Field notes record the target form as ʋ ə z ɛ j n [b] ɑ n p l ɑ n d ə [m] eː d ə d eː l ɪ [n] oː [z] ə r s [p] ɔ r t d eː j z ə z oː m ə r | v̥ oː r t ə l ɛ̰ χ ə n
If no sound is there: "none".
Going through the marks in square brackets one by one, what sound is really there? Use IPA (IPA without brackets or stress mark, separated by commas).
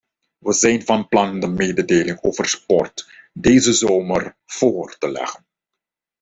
v, m, ŋ, v, p